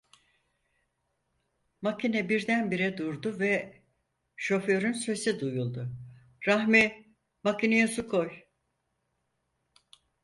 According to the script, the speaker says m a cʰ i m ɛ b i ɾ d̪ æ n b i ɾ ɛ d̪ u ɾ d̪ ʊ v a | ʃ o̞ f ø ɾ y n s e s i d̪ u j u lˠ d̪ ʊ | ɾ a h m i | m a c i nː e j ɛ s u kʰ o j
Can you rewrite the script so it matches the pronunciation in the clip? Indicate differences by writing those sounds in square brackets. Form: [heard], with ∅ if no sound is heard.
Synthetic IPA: m a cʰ i [n] ɛ b i ɾ d̪ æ n b i ɾ ɛ d̪ u ɾ d̪ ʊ v [ɛ] | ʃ o̞ f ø ɾ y n s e s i d̪ u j u lˠ d̪ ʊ | ɾ a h m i | m a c i [n] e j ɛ s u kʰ o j

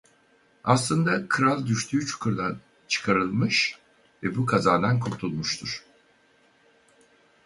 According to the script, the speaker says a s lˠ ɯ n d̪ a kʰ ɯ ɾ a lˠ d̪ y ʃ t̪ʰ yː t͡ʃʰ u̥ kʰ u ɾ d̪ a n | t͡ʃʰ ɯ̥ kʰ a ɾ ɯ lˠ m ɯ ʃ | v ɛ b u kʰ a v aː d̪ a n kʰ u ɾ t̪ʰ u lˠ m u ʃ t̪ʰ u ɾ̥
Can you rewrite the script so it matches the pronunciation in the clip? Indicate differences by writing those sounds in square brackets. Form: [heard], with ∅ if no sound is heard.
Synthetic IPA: a s lˠ ɯ n d̪ a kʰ ɯ ɾ a lˠ d̪ y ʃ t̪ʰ yː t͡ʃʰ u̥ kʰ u ɾ d̪ a n | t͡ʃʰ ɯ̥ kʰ a ɾ ɯ lˠ m ɯ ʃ | v ɛ b u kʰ a [z] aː d̪ a n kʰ u ɾ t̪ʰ u lˠ m u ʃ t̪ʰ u ɾ̥

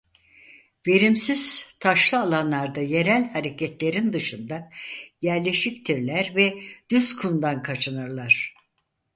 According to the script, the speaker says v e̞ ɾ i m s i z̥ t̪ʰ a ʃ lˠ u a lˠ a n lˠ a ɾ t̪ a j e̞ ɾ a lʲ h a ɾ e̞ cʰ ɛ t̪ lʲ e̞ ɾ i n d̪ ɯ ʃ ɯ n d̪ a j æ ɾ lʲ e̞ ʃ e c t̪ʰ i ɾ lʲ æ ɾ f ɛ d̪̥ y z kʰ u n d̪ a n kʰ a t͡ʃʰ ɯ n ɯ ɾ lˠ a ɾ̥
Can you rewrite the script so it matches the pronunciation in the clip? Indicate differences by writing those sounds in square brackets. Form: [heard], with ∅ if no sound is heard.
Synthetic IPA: v e̞ ɾ i m s i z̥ t̪ʰ a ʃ lˠ [ɯ] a lˠ a n lˠ a ɾ [d̪] a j e̞ ɾ [æ] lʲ h a ɾ e̞ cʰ ɛ t̪ lʲ e̞ ɾ i n d̪ ɯ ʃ ɯ n d̪ a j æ ɾ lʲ e̞ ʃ [i] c t̪ʰ i ɾ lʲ æ ɾ [v] ɛ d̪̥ y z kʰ u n d̪ a n kʰ a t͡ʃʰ ɯ n ɯ ɾ lˠ a ɾ̥

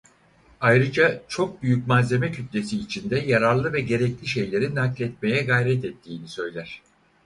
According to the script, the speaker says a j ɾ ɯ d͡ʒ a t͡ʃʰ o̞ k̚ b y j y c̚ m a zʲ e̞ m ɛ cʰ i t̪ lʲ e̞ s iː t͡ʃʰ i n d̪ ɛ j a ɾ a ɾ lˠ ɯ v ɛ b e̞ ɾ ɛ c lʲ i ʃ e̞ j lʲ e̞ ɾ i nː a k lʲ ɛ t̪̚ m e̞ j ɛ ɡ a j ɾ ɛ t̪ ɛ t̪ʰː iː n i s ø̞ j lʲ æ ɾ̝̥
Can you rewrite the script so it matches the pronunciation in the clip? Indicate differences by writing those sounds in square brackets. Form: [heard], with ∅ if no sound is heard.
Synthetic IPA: a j ɾ ɯ d͡ʒ a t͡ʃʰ o̞ k̚ b y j y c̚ m a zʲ e̞ m ɛ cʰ [y] t̪ lʲ e̞ s iː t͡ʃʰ i n d̪ ɛ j a ɾ a ɾ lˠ ɯ v ɛ [ɟ] e̞ ɾ ɛ c lʲ i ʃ e̞ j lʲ e̞ ɾ i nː a k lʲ ɛ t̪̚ m e̞ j ɛ ɡ a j ɾ ɛ t̪ ɛ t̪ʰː iː n i s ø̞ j lʲ æ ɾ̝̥

